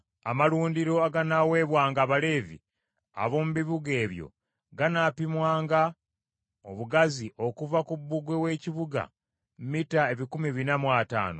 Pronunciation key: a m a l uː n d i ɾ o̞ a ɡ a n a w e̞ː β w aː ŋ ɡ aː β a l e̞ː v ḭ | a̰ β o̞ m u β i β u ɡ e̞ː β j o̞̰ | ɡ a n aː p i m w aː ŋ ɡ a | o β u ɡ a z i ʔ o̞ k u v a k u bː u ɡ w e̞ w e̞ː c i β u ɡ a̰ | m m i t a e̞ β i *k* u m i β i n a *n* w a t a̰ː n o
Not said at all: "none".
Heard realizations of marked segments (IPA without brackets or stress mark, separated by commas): k, m